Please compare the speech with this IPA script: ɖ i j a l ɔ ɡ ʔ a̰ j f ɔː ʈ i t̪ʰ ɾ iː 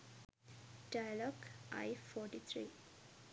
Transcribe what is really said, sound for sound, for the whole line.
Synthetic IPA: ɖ a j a l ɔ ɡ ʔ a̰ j f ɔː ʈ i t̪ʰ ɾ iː